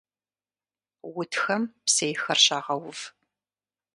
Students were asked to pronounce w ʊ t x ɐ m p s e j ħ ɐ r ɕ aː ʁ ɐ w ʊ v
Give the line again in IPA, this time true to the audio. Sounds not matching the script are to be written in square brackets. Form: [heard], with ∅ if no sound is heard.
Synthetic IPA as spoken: w ʊ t x ɐ m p s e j [x] ɐ r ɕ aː ʁ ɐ w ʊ v